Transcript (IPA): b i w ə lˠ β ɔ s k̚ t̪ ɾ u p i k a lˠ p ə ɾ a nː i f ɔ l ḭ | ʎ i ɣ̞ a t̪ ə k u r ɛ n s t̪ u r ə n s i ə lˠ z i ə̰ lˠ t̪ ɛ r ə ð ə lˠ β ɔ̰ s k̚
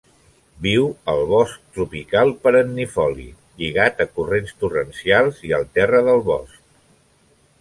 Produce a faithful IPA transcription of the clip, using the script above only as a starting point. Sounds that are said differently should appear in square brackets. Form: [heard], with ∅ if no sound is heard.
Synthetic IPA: b i w ə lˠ β ɔ s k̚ t̪ ɾ u p i k a lˠ p ə ɾ [ə] nː i f ɔ l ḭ | ʎ i ɣ̞ a t̪ ə k u r [e] n s t̪ u r ə n s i [a] lˠ z i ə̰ lˠ t̪ ɛ r ə ð ə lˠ β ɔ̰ s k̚